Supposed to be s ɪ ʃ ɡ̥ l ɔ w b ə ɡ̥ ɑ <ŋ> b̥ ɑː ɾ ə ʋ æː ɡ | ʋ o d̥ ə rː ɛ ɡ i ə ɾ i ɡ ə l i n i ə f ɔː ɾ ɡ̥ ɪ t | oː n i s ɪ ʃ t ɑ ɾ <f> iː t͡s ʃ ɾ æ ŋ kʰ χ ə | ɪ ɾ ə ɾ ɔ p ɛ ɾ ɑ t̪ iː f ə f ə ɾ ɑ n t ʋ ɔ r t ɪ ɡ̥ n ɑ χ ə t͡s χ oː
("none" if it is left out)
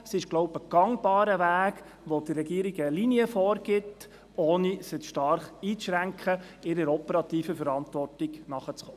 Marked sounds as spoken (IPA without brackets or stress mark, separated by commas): ŋ, χ